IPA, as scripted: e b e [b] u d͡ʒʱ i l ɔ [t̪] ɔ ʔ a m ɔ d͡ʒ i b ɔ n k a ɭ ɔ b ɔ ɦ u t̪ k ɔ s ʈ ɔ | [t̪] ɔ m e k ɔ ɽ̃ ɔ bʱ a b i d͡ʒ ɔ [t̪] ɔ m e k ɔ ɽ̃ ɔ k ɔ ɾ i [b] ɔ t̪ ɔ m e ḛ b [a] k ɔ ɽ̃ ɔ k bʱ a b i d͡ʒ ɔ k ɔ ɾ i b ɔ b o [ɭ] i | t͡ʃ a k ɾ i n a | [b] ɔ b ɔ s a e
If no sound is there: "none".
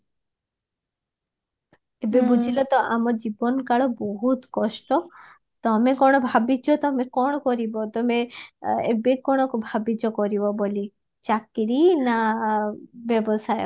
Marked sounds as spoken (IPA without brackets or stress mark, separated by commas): b, t̪, t̪, t̪, b, e, l, b